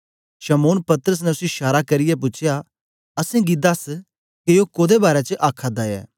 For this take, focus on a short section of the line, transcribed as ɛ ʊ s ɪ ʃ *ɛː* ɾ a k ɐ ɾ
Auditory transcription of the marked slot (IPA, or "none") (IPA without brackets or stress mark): aː